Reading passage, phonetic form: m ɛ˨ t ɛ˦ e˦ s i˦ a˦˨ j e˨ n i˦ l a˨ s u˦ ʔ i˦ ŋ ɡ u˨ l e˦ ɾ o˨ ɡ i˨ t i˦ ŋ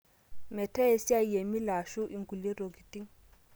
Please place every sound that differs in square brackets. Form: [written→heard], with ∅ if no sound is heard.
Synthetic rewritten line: m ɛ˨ t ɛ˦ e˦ s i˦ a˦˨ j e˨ [n→m] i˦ l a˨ [s→ʃ] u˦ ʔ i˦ ŋ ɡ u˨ l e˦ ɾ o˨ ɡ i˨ t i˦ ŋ